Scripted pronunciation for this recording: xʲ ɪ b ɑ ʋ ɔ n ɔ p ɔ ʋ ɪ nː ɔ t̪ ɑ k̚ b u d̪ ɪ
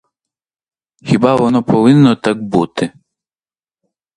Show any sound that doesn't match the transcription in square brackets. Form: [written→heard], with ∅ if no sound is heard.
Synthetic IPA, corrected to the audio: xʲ [ɪ→i] b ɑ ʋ ɔ n ɔ p ɔ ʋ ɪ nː ɔ t̪ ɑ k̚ b u [d̪→t̪] ɪ